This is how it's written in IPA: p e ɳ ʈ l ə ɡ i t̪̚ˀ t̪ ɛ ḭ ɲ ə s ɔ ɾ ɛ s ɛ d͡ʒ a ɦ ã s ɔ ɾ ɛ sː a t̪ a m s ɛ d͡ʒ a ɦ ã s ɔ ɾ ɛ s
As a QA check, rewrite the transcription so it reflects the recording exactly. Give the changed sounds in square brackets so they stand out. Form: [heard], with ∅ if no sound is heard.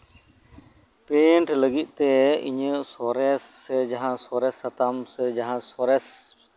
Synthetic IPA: p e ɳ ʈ l ə ɡ i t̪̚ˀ t̪ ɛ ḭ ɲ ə s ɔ ɾ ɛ s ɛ d͡ʒ a ɦ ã s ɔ ɾ ɛ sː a t̪ a m s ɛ d͡ʒ a ɦ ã s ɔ ɾ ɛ s